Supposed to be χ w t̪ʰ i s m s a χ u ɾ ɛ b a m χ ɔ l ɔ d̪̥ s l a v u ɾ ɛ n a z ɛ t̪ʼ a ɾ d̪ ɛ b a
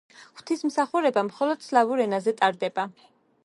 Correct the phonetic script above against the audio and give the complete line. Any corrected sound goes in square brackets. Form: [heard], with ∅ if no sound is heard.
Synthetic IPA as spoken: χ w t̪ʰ i s m s a χ u ɾ ɛ b a m χ ɔ l ɔ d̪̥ s l a v u ɾ ɛ n a z ɛ t̪ʼ a ɾ d̪ ɛ b a